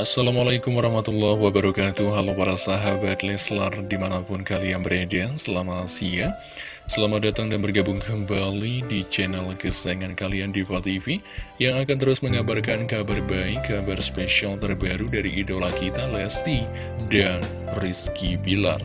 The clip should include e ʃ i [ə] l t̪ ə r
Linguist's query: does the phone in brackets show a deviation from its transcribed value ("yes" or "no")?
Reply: yes